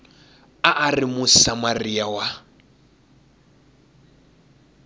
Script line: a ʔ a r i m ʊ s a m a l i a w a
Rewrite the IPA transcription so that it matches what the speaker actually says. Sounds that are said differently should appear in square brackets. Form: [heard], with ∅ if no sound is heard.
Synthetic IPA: a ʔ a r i m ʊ s a m a [r] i a w a